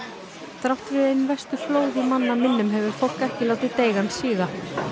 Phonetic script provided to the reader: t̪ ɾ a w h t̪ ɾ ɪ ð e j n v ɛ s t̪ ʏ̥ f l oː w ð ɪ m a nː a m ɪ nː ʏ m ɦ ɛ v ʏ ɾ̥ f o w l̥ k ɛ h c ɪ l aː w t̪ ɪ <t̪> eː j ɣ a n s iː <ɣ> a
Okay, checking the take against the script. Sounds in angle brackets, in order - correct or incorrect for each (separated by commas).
correct, correct